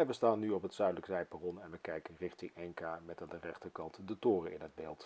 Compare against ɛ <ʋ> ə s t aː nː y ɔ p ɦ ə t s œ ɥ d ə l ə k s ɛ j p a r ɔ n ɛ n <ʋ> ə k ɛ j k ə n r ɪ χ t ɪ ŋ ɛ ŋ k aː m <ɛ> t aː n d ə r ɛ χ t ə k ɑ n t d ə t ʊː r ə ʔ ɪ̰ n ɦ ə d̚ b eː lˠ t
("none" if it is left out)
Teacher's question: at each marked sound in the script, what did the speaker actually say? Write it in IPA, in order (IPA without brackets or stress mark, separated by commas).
ʋ, ʋ, ɛ